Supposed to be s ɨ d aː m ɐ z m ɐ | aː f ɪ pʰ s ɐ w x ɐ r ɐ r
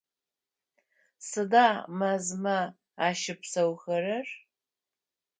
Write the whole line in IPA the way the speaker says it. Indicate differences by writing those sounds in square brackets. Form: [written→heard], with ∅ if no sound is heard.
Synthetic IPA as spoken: s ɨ d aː m ɐ z m ɐ | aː [f→ʃ] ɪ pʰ s ɐ w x ɐ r ɐ r